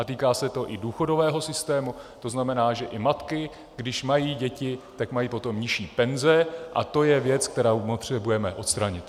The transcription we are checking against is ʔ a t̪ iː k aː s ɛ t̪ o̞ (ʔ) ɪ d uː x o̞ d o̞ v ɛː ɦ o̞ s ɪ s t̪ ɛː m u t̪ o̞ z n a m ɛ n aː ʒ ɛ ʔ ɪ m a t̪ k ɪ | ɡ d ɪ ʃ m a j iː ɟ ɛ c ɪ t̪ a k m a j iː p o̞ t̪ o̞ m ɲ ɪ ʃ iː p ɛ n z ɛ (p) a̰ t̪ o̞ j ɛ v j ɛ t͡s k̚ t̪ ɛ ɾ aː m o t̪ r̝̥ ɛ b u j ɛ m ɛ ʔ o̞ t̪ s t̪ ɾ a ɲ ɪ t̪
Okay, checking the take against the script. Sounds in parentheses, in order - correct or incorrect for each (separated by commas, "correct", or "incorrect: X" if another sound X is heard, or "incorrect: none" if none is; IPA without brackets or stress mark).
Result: correct, incorrect: ʔ